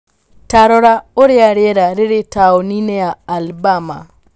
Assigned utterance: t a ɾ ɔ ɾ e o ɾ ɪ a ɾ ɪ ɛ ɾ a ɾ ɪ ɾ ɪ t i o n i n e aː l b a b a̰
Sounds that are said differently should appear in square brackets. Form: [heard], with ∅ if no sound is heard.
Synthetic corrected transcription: t a ɾ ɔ ɾ [a] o ɾ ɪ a ɾ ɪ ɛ ɾ a ɾ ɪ ɾ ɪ t [a] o n i n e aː l b a [m] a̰